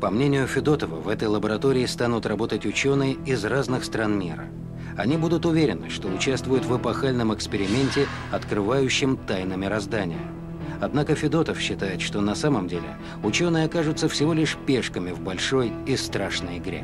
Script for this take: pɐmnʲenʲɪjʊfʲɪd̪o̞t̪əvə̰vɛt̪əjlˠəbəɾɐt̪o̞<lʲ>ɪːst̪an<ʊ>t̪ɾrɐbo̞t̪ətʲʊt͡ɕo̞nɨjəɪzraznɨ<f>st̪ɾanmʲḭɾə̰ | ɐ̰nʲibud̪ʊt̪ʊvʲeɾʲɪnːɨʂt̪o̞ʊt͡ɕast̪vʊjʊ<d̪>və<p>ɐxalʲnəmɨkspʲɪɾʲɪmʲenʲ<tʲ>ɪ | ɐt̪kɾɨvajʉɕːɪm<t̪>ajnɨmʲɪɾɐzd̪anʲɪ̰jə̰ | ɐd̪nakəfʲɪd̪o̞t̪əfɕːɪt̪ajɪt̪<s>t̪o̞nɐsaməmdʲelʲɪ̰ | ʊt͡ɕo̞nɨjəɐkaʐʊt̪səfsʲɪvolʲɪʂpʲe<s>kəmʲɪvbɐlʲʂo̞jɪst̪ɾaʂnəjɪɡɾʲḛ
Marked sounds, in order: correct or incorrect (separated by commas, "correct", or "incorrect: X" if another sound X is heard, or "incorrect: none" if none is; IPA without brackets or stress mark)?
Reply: incorrect: ɾʲ, correct, incorrect: x, incorrect: t̪, correct, correct, correct, incorrect: ʂ, incorrect: ʂ